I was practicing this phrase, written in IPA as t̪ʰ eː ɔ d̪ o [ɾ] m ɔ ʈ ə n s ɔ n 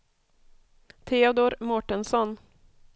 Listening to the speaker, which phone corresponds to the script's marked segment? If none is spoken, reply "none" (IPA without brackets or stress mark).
ɾ